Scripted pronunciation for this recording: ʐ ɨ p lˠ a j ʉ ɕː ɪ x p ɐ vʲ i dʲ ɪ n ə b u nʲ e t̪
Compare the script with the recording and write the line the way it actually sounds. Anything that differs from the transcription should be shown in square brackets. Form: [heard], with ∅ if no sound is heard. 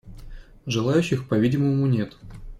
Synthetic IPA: ʐ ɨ [∅] lˠ a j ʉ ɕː ɪ x p ɐ vʲ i dʲ ɪ [m] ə [m] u nʲ e t̪